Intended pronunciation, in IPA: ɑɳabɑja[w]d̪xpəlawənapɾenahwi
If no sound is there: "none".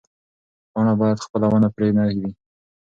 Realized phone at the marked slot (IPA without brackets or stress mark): none